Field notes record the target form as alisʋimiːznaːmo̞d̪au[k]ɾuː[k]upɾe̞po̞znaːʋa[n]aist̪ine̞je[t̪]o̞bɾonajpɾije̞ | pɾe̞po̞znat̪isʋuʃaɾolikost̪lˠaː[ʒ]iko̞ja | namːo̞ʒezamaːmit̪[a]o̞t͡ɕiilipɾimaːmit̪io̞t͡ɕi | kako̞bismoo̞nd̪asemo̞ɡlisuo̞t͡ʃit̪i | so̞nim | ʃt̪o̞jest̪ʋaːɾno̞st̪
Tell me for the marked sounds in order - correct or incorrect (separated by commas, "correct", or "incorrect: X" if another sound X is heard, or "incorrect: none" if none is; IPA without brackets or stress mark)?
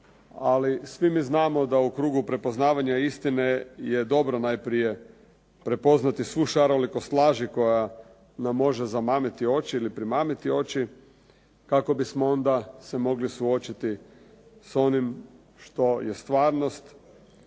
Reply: correct, incorrect: ɡ, incorrect: ɲ, incorrect: d̪, correct, incorrect: i